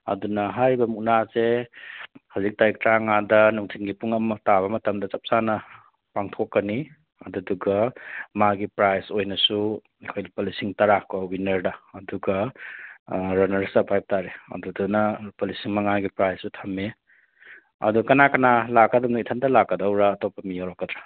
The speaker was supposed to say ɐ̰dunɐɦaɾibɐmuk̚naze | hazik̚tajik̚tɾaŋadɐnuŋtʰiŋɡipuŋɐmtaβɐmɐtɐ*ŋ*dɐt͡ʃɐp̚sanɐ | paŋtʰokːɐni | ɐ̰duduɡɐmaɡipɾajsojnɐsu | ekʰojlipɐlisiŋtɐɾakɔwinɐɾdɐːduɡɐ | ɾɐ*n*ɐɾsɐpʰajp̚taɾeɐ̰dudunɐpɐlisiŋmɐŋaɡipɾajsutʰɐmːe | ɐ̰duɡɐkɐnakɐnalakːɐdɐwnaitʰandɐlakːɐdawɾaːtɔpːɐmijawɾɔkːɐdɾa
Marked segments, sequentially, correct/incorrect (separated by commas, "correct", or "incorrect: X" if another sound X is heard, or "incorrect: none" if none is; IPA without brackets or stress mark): incorrect: m, correct